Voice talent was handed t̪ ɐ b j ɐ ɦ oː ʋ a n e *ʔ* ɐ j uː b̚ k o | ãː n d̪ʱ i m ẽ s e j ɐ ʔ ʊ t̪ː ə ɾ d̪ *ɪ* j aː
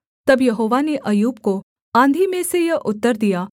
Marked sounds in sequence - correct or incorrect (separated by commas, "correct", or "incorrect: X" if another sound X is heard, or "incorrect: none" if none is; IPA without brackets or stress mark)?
correct, incorrect: i